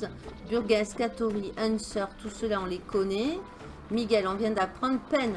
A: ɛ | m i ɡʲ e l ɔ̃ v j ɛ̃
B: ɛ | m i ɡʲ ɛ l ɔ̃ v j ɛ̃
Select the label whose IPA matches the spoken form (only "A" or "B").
B